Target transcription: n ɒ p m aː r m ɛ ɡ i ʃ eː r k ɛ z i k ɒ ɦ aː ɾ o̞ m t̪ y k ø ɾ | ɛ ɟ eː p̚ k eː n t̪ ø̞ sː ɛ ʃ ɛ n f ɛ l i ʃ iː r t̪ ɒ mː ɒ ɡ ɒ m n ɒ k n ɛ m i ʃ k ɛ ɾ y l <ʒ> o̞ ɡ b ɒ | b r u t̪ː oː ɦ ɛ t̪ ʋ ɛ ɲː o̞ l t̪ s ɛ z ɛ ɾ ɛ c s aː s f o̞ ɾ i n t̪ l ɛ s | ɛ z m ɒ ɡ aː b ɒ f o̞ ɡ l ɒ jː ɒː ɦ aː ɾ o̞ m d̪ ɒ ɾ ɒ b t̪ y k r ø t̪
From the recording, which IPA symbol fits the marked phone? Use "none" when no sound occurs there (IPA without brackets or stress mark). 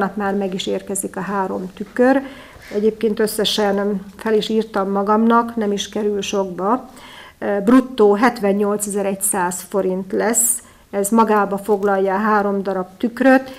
ʃ